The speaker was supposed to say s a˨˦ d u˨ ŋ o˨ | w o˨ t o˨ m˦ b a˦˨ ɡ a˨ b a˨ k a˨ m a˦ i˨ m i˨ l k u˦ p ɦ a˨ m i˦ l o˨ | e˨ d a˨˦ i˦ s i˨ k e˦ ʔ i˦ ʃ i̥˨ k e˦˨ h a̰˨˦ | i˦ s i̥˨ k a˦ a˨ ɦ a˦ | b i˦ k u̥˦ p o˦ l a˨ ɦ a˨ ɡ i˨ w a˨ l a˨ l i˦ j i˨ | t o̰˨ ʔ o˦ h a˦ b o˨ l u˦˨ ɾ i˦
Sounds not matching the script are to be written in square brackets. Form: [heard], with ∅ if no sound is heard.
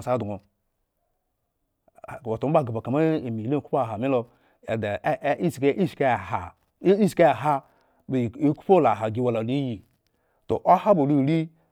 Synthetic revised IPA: s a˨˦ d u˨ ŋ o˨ | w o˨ t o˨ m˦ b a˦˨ ɡ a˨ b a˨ k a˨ m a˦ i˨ m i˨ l k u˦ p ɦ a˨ m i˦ l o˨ | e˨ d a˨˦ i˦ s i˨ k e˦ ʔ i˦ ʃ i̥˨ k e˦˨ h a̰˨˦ | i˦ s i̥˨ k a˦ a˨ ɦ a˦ | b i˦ k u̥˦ p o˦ l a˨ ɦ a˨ ɡ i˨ w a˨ l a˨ l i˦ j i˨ | t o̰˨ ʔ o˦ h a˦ b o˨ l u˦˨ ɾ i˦